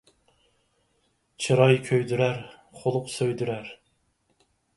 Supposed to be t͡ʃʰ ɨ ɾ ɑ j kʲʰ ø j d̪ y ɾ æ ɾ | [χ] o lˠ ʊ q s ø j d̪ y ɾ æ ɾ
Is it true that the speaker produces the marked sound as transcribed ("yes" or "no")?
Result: yes